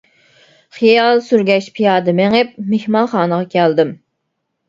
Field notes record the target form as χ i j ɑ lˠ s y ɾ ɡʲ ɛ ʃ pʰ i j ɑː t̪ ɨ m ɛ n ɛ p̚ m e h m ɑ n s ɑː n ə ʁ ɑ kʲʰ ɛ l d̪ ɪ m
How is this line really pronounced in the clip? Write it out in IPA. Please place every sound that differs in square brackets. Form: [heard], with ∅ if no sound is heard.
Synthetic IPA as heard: χ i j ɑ lˠ s y ɾ ɡʲ ɛ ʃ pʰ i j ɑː [d̪] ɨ m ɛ [ŋ] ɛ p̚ m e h m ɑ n [χ] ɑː n ə ʁ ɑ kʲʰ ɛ l d̪ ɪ m